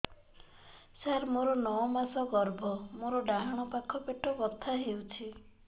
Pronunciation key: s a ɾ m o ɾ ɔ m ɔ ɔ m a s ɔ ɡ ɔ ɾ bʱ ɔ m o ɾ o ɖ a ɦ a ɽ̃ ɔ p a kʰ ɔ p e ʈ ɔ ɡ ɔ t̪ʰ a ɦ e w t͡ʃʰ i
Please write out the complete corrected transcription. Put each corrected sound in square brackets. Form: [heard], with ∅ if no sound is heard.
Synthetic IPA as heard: s a ɾ m o ɾ ɔ [n] ɔ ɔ m a s ɔ ɡ ɔ ɾ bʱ ɔ m o ɾ [ɔ] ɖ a ɦ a ɽ̃ ɔ p a kʰ ɔ p e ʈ ɔ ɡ ɔ t̪ʰ a ɦ e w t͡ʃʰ i